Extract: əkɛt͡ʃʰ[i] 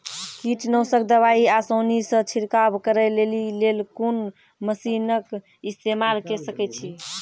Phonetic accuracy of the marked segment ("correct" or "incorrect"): correct